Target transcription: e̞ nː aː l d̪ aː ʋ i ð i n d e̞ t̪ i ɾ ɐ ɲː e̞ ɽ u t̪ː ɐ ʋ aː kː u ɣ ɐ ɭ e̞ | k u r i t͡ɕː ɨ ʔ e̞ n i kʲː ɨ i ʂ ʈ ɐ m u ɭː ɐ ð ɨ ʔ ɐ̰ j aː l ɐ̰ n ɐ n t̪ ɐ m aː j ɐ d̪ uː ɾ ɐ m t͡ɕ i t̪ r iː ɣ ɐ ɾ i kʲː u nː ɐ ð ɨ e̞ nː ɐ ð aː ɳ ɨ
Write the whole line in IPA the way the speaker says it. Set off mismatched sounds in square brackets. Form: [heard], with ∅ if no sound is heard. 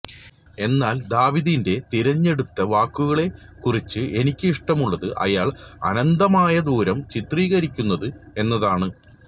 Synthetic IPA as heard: e̞ nː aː l d̪ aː ʋ i ð i n d e̞ t̪ i ɾ ɐ ɲː e̞ ɽ u t̪ː ɐ ʋ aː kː u ɣ ɐ ɭ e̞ | k u r i t͡ɕː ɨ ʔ e̞ n i kʲː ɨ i ʂ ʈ ɐ m u ɭː ɐ ð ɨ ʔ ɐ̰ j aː [ɭ] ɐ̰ n ɐ n [d̪] ɐ m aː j ɐ d̪ uː ɾ ɐ m t͡ɕ i t̪ r iː ɣ ɐ ɾ i kʲː u nː ɐ ð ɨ e̞ nː ɐ ð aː ɳ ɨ